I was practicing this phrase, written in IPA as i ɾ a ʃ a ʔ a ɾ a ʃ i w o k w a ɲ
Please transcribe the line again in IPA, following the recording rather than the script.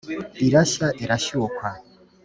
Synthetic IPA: i ɾ a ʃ a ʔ i ɾ a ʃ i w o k w a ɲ